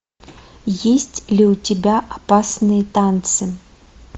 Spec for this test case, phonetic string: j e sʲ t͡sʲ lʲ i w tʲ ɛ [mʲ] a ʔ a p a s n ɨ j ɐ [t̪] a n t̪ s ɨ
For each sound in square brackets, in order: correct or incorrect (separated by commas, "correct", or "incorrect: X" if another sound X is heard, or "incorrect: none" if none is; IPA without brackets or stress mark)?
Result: incorrect: bʲ, correct